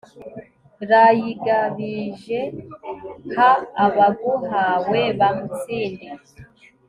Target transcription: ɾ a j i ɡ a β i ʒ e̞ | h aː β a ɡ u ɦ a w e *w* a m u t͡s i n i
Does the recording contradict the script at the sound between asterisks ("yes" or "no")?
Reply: yes